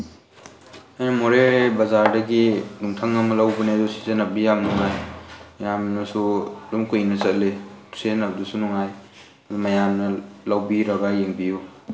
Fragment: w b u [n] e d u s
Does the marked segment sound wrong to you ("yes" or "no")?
no